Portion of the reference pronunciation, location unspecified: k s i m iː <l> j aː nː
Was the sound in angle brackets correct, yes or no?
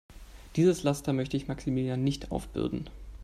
yes